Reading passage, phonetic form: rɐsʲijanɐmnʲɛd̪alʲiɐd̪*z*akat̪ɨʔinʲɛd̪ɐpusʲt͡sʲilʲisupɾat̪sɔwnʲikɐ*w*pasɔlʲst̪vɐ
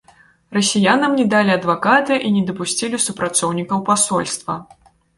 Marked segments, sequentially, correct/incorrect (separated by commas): incorrect, correct